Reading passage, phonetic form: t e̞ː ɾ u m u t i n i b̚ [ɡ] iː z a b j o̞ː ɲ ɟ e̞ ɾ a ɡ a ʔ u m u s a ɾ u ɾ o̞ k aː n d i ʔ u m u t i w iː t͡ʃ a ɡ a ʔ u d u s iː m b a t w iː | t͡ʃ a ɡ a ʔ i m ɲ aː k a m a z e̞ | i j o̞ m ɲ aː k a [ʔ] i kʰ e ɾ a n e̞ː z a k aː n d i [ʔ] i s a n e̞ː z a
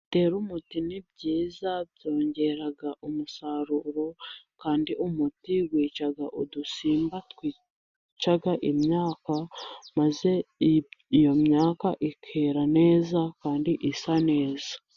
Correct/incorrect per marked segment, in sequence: incorrect, correct, correct

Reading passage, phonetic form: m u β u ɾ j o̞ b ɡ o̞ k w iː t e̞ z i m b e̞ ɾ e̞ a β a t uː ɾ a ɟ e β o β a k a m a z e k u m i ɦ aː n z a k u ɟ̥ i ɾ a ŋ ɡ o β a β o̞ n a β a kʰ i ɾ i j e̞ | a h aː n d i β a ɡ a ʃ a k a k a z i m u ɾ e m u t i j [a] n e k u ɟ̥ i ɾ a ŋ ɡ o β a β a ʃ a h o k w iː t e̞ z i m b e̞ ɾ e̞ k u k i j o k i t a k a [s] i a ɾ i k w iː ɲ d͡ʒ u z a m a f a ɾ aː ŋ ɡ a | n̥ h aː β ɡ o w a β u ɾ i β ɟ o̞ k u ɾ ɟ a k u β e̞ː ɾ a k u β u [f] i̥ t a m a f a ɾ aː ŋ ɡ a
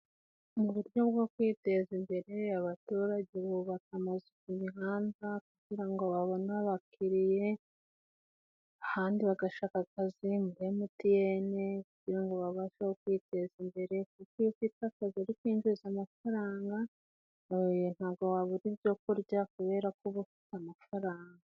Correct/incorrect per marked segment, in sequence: incorrect, incorrect, correct

